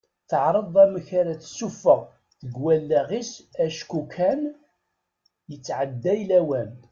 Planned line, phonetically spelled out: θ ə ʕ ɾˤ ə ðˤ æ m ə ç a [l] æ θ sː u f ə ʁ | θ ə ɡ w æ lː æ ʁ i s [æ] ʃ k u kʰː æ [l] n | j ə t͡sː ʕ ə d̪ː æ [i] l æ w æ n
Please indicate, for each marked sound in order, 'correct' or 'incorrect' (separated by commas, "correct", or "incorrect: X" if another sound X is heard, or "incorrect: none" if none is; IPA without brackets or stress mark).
incorrect: ɾ, correct, incorrect: none, incorrect: j